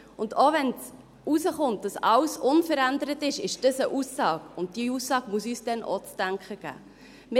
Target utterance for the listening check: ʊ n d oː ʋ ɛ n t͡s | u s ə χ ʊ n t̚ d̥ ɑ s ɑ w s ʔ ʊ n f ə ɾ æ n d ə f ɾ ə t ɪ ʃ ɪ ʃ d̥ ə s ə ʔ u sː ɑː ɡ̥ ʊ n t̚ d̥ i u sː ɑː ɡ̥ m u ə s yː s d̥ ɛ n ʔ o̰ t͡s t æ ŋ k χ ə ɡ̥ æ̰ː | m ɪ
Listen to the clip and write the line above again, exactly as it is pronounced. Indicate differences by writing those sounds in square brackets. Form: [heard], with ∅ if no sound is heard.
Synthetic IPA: ʊ n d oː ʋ ɛ n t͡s | u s ə χ ʊ n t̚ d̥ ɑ s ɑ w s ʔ ʊ n f ə ɾ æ n d ə [∅] ɾ ə t ɪ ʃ ɪ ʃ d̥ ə s ə ʔ u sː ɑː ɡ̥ ʊ n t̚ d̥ i u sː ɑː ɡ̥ m u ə s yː s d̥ ɛ n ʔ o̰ t͡s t æ ŋ k χ ə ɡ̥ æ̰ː | m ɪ